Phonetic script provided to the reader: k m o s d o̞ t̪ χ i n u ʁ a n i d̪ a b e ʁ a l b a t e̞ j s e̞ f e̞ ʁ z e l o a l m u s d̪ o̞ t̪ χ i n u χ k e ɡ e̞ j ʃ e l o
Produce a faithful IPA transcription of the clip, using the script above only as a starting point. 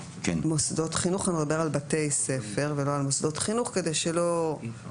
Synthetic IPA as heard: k m o s d o̞ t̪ χ i n u χ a n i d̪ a b e ʁ a l b a t e̞ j s e̞ f e̞ ʁ v e l o a l m o s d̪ o̞ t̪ χ i n u χ k e d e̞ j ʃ e l o